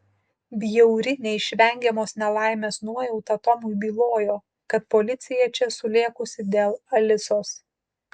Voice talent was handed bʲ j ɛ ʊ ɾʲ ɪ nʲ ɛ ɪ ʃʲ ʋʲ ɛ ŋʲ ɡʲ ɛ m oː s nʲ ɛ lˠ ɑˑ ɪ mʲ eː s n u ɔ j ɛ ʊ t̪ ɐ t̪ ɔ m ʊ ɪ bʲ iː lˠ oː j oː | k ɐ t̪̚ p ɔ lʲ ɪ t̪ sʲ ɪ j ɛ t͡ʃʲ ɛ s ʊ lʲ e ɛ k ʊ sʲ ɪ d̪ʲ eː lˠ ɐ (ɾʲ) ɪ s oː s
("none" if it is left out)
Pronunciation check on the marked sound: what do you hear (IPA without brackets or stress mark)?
lʲ